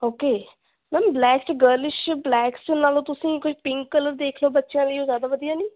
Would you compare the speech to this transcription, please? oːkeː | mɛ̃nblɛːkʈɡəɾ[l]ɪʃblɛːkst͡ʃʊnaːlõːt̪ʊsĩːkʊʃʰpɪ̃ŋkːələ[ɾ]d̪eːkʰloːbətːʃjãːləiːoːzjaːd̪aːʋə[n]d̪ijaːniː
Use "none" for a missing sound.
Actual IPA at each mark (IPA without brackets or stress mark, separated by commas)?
l, ɾ, none